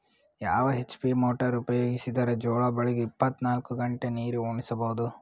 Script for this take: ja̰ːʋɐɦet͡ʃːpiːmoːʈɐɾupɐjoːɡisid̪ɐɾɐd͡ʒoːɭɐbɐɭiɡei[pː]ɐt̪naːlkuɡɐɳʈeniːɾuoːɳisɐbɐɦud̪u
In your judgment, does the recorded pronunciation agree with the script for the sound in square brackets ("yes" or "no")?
yes